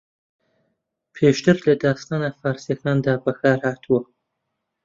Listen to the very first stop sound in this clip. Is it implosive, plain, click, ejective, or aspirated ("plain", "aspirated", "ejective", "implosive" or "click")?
aspirated